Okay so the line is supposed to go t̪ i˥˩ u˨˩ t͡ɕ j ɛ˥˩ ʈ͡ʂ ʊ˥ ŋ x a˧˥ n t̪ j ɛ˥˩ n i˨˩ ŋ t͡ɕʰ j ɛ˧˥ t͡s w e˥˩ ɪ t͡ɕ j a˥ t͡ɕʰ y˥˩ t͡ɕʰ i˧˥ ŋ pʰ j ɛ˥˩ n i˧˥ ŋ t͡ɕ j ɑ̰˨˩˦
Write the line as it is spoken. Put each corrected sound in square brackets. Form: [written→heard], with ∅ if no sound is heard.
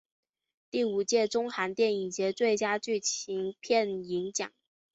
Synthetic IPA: t̪ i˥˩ u˨˩ t͡ɕ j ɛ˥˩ ʈ͡ʂ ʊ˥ ŋ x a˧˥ n t̪ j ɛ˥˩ n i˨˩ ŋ [t͡ɕʰ→t͡ɕ] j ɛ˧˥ t͡s w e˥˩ ɪ t͡ɕ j a˥ [t͡ɕʰ→t͡ɕ] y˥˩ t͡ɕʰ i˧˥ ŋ pʰ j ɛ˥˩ n i˧˥ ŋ t͡ɕ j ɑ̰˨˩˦